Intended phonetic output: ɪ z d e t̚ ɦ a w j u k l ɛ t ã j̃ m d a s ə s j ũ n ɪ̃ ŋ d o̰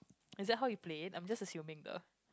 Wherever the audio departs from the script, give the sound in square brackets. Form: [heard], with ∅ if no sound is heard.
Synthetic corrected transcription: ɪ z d [ɛ] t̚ ɦ a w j u [p] l [e] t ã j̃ m [d͡ʒ] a s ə s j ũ [m] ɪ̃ ŋ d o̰